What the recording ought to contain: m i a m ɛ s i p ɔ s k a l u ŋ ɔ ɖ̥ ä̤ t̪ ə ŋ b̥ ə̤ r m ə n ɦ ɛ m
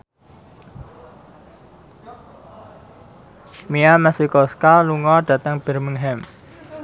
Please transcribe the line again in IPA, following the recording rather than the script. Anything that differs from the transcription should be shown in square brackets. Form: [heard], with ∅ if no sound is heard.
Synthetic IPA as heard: m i a m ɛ s i [k] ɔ s k a l u ŋ ɔ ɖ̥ ä̤ t̪ ə ŋ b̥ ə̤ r m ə [ŋ] ɦ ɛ m